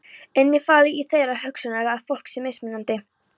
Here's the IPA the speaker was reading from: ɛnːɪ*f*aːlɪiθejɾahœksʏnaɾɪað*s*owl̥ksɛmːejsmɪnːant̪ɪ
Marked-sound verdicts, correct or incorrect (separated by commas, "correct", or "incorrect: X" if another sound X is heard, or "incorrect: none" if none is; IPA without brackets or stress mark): correct, incorrect: f